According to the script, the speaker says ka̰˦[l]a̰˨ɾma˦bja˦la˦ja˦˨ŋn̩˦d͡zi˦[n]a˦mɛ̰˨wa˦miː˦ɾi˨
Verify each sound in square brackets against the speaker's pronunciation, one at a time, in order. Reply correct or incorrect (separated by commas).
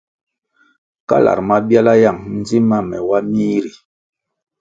correct, incorrect